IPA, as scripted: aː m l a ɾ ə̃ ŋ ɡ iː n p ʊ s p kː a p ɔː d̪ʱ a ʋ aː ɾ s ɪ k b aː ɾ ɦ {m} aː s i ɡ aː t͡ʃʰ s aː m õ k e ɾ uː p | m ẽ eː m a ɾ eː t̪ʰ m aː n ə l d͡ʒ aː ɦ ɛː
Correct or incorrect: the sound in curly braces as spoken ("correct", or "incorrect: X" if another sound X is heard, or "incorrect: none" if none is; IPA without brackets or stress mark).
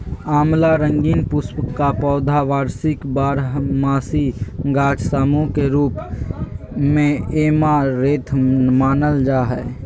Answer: correct